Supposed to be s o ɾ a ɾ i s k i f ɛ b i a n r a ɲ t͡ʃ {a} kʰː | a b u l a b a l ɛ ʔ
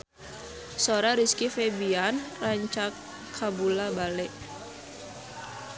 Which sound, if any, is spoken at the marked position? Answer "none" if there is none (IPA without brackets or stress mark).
a